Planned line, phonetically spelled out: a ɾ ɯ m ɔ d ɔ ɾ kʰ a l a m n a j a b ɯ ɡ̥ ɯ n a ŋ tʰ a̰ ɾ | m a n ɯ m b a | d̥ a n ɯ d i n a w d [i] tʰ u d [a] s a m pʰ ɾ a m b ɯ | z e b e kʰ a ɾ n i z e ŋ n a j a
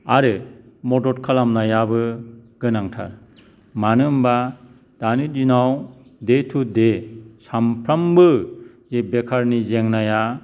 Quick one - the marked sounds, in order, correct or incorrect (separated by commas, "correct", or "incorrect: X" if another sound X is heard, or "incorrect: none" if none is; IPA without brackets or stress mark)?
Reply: incorrect: e, incorrect: e